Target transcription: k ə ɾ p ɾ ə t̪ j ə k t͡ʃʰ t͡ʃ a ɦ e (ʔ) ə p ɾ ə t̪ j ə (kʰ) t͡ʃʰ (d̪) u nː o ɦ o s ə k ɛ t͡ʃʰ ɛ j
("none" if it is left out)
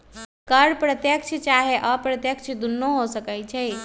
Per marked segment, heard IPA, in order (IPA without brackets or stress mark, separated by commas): ʔ, k, d̪